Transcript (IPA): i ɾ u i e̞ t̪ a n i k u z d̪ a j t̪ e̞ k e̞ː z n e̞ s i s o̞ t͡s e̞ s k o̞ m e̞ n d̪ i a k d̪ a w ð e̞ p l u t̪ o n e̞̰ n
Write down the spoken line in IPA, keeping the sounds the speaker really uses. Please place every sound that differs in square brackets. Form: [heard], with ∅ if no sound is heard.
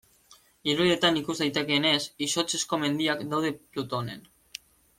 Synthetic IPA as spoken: i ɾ u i e̞ t̪ a n i k u z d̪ a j t̪ e̞ k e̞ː [∅] n e̞ s i s o̞ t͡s e̞ s k o̞ m e̞ n d̪ i a k d̪ a w ð e̞ p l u t̪ o n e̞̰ n